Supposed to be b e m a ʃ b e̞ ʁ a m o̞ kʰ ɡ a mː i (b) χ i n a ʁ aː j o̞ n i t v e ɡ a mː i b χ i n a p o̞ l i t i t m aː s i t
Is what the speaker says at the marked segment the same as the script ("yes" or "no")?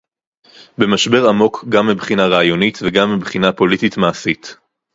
yes